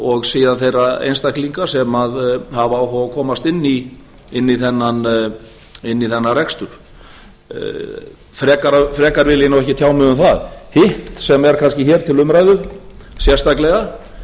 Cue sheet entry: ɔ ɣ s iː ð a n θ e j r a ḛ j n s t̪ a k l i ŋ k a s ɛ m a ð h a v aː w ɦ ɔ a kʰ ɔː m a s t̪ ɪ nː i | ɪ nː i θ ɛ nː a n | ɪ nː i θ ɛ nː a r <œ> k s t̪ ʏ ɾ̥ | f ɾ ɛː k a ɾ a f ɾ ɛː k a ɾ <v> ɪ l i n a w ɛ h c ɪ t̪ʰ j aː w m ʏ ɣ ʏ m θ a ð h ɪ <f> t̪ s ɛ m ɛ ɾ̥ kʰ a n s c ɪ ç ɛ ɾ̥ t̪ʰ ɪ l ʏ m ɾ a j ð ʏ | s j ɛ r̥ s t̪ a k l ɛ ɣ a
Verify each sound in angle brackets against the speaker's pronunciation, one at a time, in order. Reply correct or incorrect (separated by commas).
incorrect, correct, incorrect